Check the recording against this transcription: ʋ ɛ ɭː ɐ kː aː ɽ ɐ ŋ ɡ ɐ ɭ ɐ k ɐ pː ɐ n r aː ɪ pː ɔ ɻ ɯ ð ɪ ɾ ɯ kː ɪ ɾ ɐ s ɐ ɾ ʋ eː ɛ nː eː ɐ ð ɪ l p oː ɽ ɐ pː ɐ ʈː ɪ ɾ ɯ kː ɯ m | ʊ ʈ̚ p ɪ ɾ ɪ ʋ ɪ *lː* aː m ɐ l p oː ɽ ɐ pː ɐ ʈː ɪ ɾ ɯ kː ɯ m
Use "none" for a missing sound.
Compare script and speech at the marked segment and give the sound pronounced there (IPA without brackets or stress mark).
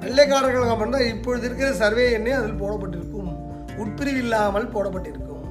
lː